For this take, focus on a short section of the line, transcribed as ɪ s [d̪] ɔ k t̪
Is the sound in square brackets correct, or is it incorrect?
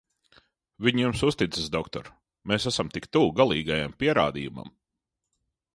correct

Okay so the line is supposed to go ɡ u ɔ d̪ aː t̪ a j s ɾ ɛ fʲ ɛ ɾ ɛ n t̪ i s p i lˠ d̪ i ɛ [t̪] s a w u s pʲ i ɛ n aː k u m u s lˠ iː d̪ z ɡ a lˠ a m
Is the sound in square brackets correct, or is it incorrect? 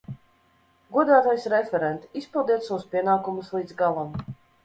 correct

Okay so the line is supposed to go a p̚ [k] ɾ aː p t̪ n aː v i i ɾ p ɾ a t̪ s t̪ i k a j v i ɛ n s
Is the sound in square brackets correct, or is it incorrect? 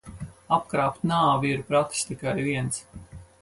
correct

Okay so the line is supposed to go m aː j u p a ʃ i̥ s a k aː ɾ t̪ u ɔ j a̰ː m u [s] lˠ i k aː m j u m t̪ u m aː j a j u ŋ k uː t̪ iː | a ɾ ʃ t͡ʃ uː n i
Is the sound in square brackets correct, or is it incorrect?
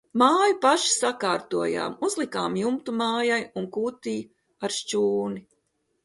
incorrect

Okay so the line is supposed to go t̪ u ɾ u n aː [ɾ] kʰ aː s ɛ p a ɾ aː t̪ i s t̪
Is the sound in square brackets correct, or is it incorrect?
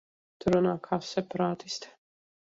incorrect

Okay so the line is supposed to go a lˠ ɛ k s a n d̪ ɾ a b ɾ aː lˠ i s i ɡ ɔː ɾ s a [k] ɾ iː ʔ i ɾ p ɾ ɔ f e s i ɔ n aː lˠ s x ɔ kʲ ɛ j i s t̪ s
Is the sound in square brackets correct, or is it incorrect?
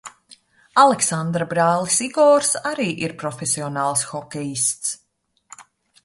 incorrect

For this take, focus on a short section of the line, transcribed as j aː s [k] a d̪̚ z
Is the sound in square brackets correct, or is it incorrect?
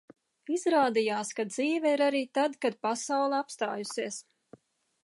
correct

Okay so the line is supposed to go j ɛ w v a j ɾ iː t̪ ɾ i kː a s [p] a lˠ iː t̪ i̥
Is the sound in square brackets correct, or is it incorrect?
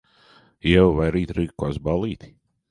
incorrect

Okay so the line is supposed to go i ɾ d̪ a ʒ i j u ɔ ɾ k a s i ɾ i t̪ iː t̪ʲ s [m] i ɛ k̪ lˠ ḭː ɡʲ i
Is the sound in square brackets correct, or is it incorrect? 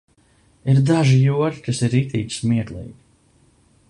correct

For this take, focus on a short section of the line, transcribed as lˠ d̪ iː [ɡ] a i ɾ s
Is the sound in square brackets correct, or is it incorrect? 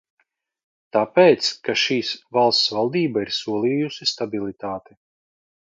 incorrect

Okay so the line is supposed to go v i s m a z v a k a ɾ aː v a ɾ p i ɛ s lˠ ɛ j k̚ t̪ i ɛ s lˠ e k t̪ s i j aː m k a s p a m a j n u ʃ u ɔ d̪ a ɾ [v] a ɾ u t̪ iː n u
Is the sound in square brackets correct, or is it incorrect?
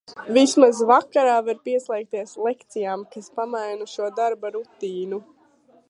incorrect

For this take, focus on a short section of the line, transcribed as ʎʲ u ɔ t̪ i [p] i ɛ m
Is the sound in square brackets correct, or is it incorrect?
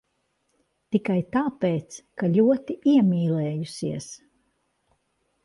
incorrect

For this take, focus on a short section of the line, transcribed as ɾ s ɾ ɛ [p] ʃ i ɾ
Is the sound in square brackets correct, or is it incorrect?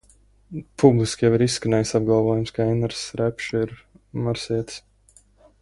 correct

